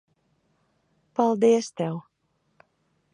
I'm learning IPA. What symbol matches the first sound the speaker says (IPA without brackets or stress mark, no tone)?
p